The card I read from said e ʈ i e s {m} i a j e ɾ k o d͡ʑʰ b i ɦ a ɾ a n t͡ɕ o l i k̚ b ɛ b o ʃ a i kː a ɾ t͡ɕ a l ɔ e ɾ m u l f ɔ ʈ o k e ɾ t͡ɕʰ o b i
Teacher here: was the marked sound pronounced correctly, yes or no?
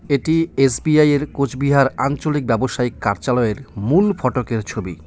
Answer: no